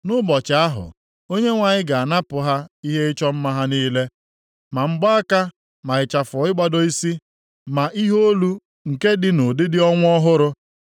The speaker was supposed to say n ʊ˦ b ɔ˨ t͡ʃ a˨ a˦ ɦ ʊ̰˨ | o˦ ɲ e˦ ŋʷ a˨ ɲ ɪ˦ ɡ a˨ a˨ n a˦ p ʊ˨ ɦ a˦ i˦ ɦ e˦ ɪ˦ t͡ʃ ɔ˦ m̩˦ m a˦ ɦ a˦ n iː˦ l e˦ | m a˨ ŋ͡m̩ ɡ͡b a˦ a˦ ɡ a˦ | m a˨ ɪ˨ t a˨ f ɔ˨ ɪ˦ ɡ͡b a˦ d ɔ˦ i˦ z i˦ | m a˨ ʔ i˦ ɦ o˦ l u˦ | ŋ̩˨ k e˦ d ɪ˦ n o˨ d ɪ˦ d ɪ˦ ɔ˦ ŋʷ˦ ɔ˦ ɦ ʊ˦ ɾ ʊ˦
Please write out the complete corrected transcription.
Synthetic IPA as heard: n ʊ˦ b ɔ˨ t͡ʃ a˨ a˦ ɦ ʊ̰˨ | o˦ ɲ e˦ ŋʷ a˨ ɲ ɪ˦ ɡ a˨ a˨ n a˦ p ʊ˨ ɦ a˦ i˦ ɦ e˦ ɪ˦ t͡ʃ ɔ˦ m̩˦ m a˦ ɦ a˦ n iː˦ l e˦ | m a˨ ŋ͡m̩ ɡ͡b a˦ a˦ k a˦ | m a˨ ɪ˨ t͡ʃ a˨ f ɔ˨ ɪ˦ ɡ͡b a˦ d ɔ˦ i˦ s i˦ | m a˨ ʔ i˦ ɦ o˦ l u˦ | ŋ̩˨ k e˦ d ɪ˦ n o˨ d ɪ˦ d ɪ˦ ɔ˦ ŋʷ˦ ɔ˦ ɦ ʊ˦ ɾ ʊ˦